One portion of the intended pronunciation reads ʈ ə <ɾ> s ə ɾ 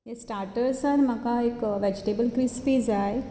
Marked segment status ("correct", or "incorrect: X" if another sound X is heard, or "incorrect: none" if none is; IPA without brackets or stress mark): correct